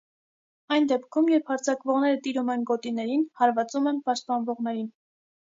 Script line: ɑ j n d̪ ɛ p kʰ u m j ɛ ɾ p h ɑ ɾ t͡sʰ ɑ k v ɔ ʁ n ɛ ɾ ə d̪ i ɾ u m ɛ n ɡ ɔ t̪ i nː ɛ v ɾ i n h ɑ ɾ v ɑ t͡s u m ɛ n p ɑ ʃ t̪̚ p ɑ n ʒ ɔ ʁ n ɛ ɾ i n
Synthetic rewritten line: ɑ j n d̪ ɛ p kʰ u m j ɛ ɾ p h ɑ ɾ t͡sʰ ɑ k v ɔ ʁ n ɛ ɾ ə t̪ i ɾ u m ɛ n ɡ ɔ t̪ i n ɛ ɾ i n h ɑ ɾ v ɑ t͡s u m ɛ n p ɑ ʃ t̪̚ p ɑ n v ɔ ʁ n ɛ ɾ i n